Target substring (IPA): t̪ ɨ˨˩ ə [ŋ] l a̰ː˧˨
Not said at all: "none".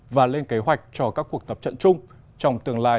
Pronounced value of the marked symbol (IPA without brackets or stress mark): ŋ